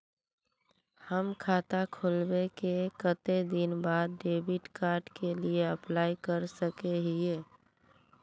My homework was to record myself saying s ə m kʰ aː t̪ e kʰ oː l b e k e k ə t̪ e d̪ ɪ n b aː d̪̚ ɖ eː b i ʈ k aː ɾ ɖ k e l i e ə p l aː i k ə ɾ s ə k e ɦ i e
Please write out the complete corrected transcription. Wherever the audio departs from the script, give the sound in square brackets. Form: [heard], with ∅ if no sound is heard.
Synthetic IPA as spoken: [h] ə m kʰ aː t̪ [a] kʰ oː l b e k e k ə t̪ e d̪ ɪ n b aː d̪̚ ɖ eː b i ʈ k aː ɾ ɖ k e l i e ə p l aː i k ə ɾ s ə k e ɦ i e